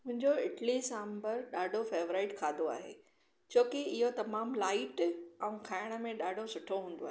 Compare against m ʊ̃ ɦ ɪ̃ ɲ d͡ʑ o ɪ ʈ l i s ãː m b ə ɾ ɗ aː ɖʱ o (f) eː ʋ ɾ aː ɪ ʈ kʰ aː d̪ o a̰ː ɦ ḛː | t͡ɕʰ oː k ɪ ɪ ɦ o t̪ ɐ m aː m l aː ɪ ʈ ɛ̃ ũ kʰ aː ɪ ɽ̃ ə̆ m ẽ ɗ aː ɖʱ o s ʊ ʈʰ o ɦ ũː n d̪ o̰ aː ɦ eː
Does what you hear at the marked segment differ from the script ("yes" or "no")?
no